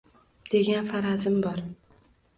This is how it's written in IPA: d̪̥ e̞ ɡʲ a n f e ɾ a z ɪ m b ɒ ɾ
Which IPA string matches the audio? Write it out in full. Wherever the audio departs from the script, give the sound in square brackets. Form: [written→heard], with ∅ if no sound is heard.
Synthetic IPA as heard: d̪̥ e̞ ɡʲ a n f [e→a] ɾ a z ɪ m b ɒ ɾ